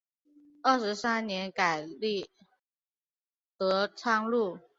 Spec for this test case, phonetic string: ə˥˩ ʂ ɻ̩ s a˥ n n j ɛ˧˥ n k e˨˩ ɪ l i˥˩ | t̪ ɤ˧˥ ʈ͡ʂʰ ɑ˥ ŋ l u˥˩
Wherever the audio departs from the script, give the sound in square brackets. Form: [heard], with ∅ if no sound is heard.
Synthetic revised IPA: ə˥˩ ʂ ɻ̩ s a˥ n n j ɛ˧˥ n k [a˨˩] ɪ l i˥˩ | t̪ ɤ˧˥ ʈ͡ʂʰ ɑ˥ ŋ l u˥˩